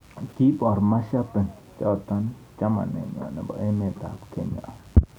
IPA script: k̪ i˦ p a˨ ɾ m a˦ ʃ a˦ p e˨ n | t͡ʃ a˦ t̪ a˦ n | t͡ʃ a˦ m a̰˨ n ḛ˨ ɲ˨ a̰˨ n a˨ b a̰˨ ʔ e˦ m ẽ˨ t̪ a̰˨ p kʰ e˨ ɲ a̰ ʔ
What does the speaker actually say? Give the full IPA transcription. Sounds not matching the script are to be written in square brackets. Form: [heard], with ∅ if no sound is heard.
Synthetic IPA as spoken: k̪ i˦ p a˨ ɾ m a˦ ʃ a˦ p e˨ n | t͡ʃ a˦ t̪ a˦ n | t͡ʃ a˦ m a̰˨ n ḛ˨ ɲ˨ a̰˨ n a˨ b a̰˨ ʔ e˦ m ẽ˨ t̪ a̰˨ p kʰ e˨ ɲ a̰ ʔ

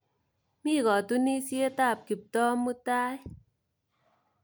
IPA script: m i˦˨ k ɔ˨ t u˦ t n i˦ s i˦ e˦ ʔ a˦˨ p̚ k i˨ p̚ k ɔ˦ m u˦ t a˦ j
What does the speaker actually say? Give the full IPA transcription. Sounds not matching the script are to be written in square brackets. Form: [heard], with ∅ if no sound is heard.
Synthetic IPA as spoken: m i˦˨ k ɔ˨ t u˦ [∅] n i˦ s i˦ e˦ [t] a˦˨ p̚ k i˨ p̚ [t] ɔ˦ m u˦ t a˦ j

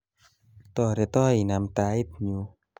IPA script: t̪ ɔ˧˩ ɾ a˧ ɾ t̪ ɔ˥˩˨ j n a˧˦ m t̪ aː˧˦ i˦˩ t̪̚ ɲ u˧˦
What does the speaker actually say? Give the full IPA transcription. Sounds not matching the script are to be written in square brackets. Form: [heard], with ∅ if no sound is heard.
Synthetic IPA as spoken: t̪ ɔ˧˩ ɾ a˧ [∅] t̪ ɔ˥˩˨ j n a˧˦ m t̪ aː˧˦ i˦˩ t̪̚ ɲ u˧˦

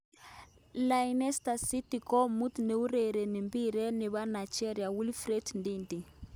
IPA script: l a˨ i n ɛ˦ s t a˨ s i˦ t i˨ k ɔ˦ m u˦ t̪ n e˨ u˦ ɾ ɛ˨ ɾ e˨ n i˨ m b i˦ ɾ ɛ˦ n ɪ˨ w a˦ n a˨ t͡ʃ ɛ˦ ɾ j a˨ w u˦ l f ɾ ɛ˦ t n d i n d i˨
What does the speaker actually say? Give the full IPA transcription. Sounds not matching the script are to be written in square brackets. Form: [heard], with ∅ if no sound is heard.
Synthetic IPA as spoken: l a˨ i n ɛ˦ s t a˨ s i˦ t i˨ k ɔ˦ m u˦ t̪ n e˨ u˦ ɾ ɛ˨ ɾ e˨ n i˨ m b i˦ ɾ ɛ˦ n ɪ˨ [β] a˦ n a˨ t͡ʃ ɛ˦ ɾ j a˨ w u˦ l f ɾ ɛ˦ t n d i n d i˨

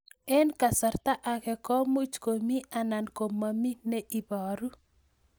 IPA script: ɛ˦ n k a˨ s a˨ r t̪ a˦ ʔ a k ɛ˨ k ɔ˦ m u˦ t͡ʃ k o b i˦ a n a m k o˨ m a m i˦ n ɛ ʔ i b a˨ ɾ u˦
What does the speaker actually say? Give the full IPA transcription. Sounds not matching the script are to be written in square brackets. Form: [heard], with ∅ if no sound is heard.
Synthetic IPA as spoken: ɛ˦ n k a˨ s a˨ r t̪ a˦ ʔ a k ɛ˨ k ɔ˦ m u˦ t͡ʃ k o [m] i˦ a n a [n] k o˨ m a m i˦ n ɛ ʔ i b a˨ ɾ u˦

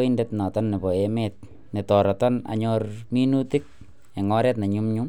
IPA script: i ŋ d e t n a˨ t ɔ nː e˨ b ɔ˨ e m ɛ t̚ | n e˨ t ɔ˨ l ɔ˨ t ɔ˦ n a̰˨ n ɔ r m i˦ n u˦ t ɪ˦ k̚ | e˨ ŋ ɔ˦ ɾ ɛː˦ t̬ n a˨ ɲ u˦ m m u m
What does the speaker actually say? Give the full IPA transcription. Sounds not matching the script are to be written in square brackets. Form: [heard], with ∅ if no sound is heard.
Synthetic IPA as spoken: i [n] d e t n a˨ t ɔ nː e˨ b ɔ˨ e m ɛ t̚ | n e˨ t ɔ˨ [ɾ] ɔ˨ t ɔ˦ n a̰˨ [ɲ] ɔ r m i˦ n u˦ t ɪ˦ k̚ | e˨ ŋ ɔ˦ ɾ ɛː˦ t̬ n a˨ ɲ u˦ m [ɲ] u m

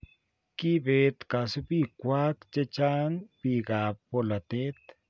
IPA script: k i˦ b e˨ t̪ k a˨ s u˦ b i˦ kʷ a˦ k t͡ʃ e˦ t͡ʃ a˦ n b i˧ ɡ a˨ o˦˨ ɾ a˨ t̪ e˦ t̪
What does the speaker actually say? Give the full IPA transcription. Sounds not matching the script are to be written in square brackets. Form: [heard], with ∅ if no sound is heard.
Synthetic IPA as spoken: k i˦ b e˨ t̪ k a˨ s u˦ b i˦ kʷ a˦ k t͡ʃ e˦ t͡ʃ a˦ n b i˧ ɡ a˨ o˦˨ [l] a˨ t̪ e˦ t̪

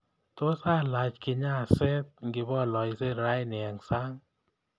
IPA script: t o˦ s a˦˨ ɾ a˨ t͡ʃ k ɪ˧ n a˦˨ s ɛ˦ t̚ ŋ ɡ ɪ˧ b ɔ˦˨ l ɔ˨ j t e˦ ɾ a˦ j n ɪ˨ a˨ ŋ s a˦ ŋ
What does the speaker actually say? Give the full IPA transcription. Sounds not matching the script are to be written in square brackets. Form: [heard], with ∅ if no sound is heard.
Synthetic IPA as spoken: t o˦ s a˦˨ [l] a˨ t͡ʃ k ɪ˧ [ɲ] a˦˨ s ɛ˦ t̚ ŋ ɡ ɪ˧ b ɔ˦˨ l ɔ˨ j [s] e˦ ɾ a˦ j n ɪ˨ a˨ ŋ s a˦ ŋ

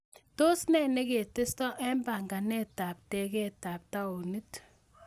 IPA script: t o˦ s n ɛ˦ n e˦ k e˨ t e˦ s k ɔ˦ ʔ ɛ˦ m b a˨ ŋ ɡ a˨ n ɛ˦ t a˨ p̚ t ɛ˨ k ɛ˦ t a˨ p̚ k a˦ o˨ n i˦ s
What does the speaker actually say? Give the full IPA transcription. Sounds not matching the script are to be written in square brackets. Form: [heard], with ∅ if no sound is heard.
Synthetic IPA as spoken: t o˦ s n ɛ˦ n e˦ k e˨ t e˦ s [t] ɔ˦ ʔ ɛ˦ m b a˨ ŋ ɡ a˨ n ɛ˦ t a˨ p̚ t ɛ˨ k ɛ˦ t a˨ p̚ [t] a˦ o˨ n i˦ [t]

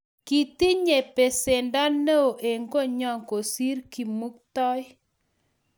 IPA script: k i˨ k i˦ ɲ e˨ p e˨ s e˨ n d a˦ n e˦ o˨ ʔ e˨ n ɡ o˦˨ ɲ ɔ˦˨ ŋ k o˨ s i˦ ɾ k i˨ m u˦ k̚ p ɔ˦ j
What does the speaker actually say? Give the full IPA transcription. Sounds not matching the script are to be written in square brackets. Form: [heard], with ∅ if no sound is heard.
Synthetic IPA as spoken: k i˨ [t] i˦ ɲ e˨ p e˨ s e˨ n d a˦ n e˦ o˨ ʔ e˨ [ŋ] ɡ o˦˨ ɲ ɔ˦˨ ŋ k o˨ s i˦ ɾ k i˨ m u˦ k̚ [t] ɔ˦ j

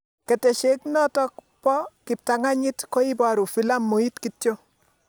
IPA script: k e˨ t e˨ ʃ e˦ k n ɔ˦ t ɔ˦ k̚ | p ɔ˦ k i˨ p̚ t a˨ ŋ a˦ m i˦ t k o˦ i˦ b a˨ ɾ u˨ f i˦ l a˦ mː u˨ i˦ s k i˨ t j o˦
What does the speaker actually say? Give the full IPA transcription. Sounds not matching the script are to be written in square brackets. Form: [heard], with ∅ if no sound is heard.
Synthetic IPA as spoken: k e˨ t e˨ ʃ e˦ k n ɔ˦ t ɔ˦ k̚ | p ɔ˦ k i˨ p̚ t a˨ ŋ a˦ [ɲ] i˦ t k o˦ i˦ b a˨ ɾ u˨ f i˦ l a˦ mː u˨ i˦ [t] k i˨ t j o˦

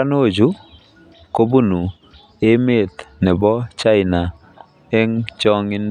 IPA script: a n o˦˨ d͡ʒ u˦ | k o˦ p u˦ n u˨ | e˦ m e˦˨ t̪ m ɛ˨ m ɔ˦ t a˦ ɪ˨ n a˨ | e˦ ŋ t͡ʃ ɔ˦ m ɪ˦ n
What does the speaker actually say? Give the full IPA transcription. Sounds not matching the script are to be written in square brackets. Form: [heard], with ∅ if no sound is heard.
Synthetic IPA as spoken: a n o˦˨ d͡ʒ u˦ | k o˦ [b] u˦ n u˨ | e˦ m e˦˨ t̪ [n] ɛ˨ [b] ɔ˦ [t͡ʃ] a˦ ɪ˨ n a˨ | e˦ ŋ t͡ʃ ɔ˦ [ŋ] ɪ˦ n

